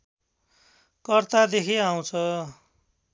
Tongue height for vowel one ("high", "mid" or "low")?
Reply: mid